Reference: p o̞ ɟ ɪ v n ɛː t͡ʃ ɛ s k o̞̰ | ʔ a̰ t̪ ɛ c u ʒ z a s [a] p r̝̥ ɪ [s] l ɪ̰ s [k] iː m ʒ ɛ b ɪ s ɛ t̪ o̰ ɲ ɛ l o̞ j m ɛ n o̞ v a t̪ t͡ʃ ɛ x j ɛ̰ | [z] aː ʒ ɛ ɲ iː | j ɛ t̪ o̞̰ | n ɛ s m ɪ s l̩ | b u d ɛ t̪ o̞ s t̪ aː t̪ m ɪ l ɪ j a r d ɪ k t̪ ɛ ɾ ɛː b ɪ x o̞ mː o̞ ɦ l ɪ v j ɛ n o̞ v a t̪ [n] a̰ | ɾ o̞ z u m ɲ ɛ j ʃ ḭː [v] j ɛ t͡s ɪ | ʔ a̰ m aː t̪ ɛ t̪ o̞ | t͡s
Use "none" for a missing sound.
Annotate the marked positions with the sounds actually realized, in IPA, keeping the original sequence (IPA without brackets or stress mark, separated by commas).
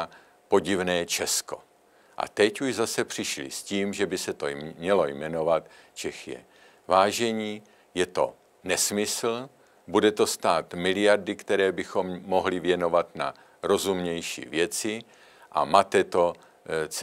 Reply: ɛ, ʃ, c, v, n, v